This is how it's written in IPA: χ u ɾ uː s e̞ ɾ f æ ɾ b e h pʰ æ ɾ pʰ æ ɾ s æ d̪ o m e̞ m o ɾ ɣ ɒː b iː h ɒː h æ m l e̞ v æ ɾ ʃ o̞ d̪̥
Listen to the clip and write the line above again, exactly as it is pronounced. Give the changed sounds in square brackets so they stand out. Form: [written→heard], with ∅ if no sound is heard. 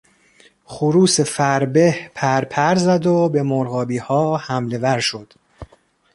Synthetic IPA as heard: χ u ɾ uː s e̞ [ɾ→∅] f æ ɾ b e h pʰ æ ɾ pʰ æ ɾ [s→z] æ d̪ o [m→b] e̞ m o ɾ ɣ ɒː b iː h ɒː h æ m l e̞ v æ ɾ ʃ o̞ d̪̥